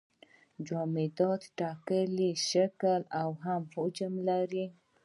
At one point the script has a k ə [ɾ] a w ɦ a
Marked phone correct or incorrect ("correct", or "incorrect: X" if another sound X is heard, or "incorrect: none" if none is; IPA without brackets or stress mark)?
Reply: incorrect: l